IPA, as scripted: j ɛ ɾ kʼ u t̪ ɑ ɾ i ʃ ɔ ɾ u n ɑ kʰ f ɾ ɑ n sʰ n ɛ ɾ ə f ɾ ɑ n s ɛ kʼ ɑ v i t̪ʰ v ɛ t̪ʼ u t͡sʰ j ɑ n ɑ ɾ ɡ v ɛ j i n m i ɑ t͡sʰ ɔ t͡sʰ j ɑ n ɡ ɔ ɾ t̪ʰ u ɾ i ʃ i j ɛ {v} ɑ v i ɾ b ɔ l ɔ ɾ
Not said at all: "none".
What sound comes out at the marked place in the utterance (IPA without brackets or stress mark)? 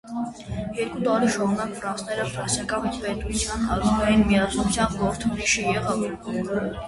ʁ